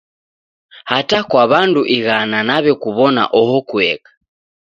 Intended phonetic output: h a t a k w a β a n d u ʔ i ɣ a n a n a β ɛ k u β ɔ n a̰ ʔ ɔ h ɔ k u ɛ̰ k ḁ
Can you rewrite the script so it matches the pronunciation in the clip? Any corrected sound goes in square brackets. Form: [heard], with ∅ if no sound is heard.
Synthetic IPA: h a t a k w a β a n d u ʔ i ɣ a n a n a β ɛ k u β ɔ n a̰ ʔ ɔ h ɔ k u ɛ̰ k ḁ

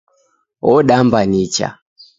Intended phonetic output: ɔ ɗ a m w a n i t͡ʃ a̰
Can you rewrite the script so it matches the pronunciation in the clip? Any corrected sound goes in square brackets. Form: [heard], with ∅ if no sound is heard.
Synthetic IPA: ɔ ɗ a m [b] a n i t͡ʃ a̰

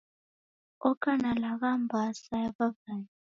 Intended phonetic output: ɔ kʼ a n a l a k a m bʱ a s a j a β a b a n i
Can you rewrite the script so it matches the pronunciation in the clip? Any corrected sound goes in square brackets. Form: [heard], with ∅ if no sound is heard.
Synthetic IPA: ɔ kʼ a n a l a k a m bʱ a s a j a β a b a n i

